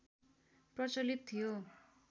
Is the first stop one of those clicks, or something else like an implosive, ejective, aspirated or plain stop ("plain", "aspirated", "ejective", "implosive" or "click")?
plain